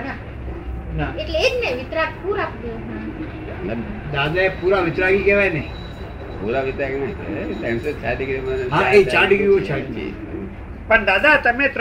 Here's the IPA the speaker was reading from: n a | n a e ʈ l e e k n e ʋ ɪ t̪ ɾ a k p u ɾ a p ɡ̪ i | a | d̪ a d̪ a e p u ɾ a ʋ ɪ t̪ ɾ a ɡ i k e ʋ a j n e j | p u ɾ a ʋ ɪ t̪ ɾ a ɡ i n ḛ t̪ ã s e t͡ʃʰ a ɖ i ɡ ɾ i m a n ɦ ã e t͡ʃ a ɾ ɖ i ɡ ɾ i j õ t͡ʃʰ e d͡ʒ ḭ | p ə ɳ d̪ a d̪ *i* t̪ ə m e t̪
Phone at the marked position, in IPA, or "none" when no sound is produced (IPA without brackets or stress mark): a